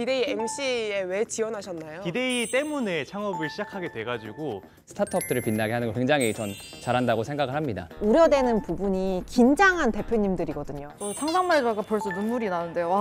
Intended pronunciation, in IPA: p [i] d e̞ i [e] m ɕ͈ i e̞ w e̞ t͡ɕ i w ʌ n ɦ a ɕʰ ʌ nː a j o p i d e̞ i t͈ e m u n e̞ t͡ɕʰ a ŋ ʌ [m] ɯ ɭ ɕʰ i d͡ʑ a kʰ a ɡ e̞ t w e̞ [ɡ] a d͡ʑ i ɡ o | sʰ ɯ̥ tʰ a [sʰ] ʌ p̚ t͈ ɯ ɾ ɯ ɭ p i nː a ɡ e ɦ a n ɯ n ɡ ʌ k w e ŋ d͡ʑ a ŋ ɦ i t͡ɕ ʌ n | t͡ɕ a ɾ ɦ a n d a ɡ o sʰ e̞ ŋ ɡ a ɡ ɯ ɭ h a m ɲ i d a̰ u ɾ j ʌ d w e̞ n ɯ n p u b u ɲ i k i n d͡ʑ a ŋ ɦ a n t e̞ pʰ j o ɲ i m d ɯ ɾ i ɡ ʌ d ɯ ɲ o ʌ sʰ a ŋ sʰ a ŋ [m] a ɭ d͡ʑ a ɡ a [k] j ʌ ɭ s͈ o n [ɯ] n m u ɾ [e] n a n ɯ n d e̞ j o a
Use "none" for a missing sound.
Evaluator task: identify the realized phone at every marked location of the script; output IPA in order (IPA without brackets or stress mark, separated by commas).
i, e, b, ɡ, tʰ, m, p, u, i